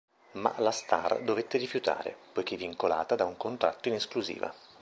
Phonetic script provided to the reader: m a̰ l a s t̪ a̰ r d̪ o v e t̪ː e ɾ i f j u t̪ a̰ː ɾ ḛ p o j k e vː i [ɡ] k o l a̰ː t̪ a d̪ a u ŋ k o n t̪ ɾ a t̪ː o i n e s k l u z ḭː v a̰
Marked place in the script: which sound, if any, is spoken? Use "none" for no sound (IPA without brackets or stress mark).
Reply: ŋ